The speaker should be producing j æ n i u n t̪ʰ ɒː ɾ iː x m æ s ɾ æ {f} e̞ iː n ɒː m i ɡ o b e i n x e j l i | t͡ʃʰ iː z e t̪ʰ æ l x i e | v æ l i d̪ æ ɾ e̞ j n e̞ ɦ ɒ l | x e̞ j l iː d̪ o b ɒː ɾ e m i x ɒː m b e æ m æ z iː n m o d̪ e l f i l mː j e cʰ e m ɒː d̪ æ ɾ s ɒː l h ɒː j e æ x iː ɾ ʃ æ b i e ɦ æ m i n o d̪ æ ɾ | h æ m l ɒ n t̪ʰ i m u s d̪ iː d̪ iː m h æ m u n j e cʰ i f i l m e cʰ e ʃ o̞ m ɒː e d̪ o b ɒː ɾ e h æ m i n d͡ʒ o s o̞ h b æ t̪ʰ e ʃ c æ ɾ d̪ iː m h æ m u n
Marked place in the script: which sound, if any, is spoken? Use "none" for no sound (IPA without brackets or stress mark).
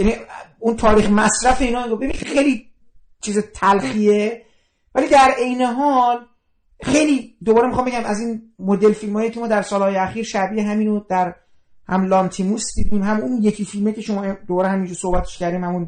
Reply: f